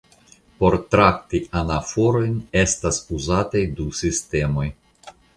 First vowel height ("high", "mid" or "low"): mid